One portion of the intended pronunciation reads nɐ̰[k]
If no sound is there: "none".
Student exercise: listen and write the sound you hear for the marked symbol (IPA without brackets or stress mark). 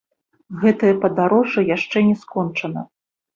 none